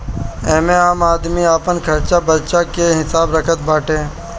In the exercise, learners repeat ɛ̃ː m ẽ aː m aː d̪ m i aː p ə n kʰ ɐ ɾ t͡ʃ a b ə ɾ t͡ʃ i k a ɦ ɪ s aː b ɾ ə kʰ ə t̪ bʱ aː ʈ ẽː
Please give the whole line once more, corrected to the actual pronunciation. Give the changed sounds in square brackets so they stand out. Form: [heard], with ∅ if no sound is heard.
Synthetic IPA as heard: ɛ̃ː m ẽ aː m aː d̪ m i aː p ə n kʰ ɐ ɾ t͡ʃ a b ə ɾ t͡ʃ [a] k [e] ɦ ɪ s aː b ɾ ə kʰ ə t̪ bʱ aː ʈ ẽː